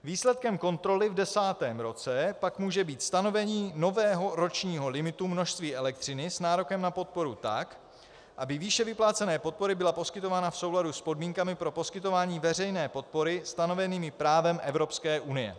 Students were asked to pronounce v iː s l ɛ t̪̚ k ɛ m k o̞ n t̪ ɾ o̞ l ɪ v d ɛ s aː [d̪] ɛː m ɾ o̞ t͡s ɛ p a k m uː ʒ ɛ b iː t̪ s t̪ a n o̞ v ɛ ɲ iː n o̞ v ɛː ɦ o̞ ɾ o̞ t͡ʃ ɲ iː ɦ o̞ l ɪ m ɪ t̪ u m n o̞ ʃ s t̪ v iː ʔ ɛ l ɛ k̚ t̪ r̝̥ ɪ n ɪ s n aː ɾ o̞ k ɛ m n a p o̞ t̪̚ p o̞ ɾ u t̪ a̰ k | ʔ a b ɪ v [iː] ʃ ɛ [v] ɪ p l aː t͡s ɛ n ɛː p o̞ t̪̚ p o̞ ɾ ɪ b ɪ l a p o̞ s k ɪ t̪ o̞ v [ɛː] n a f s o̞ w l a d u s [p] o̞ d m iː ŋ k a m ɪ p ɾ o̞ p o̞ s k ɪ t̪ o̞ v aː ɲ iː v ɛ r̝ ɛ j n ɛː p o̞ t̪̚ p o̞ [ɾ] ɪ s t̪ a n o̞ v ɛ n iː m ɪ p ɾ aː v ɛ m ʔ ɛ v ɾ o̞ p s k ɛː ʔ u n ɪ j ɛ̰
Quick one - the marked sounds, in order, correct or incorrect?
incorrect, correct, correct, incorrect, correct, correct

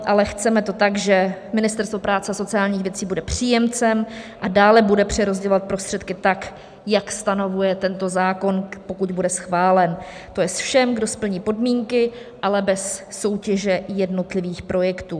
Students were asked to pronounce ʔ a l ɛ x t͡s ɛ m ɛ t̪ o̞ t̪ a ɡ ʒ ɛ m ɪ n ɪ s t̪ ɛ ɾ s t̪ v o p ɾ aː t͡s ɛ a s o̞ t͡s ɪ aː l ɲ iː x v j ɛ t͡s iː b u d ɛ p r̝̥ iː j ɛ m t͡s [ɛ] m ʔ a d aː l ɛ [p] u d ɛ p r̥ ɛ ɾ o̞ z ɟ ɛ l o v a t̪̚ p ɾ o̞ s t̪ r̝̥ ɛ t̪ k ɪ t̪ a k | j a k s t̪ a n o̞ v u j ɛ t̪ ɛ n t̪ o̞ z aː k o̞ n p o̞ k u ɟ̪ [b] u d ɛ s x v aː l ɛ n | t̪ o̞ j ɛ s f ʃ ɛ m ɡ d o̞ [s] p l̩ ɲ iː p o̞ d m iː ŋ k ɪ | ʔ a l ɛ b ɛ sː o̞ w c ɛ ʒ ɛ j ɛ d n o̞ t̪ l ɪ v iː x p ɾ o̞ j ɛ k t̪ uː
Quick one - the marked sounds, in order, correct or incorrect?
correct, incorrect, correct, correct

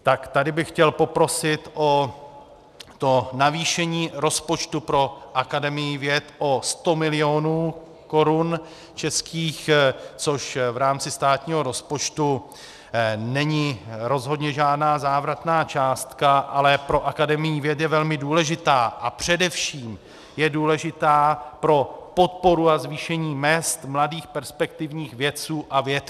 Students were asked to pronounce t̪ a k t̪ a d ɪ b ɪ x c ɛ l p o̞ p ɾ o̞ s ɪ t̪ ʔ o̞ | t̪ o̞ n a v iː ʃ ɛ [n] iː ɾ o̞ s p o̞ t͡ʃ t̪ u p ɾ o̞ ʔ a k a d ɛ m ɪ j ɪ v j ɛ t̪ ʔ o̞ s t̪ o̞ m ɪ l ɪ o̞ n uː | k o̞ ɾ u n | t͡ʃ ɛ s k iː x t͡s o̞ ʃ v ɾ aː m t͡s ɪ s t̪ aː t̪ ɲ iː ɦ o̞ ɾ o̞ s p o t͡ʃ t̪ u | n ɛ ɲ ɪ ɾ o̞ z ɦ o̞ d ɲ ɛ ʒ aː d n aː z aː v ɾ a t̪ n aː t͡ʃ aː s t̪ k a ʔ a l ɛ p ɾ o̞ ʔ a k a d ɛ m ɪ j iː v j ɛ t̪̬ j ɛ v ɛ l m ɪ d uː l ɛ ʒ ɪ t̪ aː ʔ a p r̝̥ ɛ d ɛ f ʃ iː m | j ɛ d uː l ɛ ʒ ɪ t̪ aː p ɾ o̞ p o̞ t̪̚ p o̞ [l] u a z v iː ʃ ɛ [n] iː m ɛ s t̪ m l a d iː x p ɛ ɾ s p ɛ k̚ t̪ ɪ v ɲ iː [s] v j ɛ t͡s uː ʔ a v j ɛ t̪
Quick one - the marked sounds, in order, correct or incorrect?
incorrect, incorrect, incorrect, incorrect

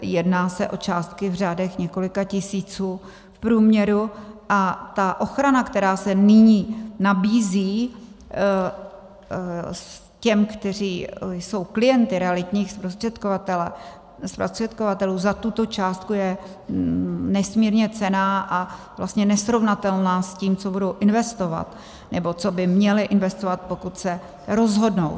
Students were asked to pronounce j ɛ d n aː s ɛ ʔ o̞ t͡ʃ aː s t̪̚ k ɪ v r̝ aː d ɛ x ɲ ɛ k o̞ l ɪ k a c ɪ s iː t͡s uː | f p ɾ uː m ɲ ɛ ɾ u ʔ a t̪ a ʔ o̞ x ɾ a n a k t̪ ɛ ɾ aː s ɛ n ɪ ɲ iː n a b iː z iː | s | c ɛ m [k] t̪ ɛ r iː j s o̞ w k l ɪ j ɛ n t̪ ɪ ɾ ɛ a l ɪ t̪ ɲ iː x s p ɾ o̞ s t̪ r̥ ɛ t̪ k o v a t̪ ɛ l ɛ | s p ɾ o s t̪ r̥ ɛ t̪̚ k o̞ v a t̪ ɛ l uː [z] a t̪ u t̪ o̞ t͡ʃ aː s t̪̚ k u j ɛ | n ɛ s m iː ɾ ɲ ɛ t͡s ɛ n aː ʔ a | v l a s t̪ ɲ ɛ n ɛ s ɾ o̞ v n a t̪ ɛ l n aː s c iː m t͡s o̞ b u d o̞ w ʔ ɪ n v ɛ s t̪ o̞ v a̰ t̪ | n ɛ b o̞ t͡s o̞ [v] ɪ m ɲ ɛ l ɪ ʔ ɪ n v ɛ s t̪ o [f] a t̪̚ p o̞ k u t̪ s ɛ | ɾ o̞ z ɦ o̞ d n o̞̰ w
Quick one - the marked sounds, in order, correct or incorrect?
correct, correct, incorrect, incorrect

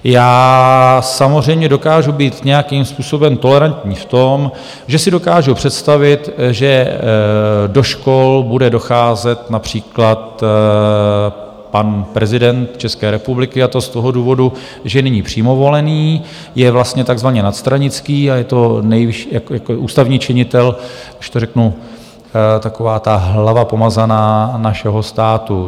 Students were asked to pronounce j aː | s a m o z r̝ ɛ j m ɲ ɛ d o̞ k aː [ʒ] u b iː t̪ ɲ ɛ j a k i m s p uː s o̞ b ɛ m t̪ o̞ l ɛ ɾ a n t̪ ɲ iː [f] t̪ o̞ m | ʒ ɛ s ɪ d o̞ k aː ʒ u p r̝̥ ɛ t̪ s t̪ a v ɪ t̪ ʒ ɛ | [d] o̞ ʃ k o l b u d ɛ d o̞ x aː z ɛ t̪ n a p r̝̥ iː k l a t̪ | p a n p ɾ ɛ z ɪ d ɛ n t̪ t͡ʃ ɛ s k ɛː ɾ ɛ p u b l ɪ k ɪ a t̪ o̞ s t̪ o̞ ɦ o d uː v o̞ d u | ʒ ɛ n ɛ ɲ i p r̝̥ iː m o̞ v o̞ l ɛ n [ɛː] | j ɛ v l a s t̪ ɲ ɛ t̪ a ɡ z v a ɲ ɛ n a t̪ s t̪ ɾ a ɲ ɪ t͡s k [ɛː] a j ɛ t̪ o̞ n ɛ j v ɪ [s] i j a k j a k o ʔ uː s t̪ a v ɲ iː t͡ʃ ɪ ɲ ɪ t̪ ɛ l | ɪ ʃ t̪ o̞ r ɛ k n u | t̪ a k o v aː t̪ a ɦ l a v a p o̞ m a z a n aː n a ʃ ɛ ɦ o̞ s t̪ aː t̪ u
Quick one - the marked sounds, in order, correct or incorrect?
correct, correct, correct, incorrect, incorrect, incorrect

